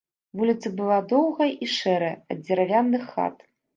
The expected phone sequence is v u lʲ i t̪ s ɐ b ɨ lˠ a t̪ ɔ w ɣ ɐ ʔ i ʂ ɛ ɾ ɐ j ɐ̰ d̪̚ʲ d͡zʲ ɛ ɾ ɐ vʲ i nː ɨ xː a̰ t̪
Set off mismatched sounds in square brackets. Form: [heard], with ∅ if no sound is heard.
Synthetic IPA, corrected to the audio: v u lʲ i t̪ s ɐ b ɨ lˠ a [d̪] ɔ w ɣ ɐ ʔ i ʂ ɛ ɾ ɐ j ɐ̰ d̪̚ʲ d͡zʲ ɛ ɾ [a] vʲ [a] nː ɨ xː a̰ t̪